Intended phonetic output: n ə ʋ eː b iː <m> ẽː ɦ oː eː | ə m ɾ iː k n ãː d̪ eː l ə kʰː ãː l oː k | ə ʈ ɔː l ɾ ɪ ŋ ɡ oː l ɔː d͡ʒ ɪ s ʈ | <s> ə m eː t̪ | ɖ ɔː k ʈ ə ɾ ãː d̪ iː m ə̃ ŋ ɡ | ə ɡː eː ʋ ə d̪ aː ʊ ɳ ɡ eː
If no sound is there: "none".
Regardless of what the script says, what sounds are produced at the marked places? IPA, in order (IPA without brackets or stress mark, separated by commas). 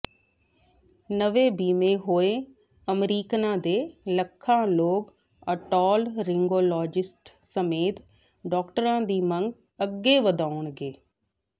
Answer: m, s